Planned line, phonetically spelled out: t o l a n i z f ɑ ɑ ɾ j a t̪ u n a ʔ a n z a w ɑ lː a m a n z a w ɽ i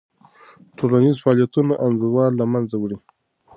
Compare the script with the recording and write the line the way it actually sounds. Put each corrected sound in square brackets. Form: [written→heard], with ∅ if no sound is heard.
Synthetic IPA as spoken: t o l a n i z f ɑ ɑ [ɾ→l] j a t̪ u n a ʔ a n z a w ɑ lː a m a n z a w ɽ i